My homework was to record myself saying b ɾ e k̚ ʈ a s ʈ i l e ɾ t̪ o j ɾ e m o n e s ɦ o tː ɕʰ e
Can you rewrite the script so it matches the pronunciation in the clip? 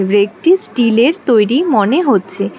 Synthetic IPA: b ɾ e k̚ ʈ i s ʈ i l e ɾ t̪ o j ɾ i m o n e ɦ o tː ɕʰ e